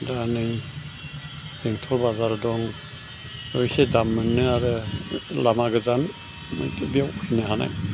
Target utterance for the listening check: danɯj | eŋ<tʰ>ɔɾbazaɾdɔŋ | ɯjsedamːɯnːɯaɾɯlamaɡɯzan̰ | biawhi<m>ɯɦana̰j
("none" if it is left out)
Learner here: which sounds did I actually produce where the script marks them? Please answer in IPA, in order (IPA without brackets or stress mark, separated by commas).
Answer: tʰ, n